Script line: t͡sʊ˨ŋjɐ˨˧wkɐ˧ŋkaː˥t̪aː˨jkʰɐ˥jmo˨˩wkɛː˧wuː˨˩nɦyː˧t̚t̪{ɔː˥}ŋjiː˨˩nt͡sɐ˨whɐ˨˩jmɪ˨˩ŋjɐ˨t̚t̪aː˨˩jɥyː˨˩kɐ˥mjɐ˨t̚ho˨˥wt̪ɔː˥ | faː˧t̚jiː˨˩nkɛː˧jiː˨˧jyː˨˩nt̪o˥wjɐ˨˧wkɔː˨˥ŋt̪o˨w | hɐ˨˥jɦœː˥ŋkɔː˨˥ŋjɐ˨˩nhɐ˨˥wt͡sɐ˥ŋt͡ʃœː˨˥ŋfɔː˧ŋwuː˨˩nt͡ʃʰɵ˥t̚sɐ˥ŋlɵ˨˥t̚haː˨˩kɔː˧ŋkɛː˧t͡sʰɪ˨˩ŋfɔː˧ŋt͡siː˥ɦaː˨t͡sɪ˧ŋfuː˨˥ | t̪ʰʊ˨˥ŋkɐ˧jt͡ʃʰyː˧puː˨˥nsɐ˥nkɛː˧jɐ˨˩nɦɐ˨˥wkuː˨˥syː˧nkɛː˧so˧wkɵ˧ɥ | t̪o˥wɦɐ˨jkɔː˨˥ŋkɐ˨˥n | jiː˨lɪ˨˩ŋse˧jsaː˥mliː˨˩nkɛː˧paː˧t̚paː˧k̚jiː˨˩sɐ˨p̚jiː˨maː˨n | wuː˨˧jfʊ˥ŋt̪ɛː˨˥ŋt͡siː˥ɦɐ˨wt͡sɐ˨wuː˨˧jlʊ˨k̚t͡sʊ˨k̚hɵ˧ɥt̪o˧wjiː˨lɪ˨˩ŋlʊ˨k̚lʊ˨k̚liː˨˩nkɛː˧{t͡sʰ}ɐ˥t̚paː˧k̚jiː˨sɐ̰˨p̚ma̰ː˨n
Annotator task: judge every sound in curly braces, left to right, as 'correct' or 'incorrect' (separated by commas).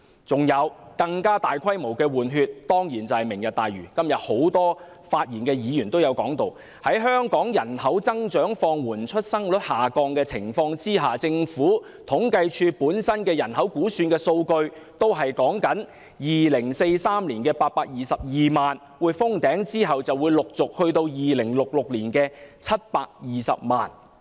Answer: correct, correct